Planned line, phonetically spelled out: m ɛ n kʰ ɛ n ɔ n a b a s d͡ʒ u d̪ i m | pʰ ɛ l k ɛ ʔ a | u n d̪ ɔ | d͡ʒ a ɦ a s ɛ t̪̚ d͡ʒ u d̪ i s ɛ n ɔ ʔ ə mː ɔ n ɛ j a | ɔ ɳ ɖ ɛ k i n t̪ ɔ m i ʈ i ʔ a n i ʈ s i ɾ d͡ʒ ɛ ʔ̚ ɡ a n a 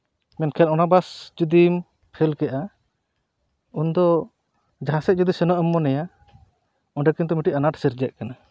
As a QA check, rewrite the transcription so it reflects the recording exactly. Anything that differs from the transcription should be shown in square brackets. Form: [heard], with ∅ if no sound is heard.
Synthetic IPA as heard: m ɛ n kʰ ɛ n ɔ n a b a s d͡ʒ u d̪ i m | pʰ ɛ l k ɛ ʔ a | u n d̪ ɔ | d͡ʒ a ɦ a s ɛ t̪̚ d͡ʒ u d̪ i s ɛ n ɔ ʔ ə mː ɔ n ɛ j a | ɔ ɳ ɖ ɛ k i n t̪ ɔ m i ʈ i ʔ a n [a] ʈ s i ɾ d͡ʒ ɛ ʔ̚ [k] a n a